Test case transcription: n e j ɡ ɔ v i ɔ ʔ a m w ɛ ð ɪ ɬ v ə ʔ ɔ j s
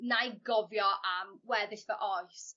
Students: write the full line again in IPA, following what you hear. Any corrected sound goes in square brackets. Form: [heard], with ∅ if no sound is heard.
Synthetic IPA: n [a] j ɡ ɔ v [j] ɔ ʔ a m w ɛ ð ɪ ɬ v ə ʔ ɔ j s